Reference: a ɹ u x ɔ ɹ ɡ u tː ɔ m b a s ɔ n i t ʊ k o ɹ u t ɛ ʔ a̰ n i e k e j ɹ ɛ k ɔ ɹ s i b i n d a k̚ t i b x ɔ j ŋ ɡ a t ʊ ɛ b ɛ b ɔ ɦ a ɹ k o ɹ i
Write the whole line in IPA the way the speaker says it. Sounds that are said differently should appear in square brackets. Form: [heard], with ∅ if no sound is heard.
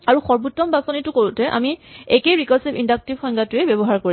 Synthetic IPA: a ɹ u x ɔ ɹ [b] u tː ɔ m b a s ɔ n i t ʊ k o ɹ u t ɛ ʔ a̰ [m] i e k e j ɹ [i] k ɔ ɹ s i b i n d a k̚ t i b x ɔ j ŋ ɡ a t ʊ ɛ b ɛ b ɔ ɦ a ɹ k o ɹ i